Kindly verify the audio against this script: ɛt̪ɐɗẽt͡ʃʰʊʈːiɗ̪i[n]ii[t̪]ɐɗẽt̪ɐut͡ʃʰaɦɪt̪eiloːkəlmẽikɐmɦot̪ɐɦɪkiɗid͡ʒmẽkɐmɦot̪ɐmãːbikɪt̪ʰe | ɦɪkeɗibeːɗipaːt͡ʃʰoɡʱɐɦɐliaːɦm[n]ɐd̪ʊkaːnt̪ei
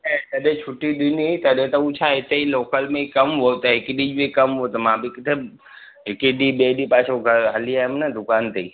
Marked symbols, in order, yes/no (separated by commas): yes, yes, yes